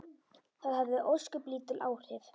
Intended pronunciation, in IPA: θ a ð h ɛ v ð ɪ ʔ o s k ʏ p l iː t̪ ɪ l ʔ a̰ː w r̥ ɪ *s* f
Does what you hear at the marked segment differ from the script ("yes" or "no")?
yes